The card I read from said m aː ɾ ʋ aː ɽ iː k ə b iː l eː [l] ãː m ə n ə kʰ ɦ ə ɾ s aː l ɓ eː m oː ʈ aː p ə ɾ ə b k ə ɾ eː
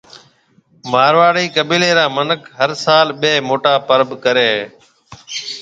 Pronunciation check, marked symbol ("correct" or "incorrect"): incorrect